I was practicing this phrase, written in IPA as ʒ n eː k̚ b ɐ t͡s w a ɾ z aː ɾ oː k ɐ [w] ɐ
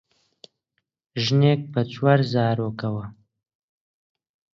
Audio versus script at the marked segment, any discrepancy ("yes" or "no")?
no